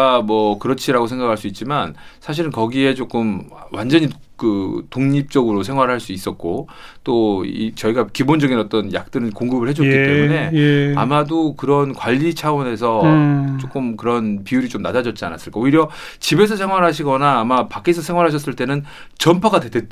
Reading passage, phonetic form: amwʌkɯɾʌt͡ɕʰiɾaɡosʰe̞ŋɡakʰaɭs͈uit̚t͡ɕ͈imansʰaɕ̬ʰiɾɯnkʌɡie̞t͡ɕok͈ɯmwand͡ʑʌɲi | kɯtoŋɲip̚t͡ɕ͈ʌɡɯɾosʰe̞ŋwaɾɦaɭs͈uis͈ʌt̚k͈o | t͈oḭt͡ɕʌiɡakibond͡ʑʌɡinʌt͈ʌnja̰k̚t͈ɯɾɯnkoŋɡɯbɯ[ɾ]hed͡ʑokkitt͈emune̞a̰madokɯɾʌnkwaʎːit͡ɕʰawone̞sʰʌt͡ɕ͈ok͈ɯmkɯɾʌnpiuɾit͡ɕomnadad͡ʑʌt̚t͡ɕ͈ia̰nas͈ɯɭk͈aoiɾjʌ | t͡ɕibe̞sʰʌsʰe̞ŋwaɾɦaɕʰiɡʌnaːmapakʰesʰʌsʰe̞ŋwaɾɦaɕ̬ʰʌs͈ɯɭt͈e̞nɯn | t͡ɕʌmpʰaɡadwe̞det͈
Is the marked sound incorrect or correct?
incorrect